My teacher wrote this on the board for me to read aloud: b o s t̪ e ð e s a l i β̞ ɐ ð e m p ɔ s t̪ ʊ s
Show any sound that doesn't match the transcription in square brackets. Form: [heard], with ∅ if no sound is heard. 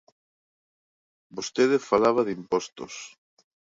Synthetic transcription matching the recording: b o s t̪ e ð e [f] a l [a] β̞ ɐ ð [i] m p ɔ s t̪ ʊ s